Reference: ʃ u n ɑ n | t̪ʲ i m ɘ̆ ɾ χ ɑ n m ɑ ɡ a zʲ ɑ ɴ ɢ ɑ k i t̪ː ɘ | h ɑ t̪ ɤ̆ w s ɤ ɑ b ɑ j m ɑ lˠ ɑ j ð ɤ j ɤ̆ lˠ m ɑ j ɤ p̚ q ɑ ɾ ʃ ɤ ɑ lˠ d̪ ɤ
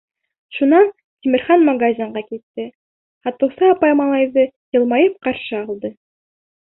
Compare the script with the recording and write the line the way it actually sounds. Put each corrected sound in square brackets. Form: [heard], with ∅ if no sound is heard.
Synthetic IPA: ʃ u n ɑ n | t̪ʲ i m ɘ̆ ɾ χ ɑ n m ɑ ɡ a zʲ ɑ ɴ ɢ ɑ k i t̪ː ɘ | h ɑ t̪ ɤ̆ w s ɤ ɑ [p] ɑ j m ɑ lˠ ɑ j ð ɤ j ɤ̆ lˠ m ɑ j ɤ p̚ q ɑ ɾ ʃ ɤ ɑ lˠ d̪ ɤ